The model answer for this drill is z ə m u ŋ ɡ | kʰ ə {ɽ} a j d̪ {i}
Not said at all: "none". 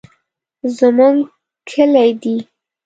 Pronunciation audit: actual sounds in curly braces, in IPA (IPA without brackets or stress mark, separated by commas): l, i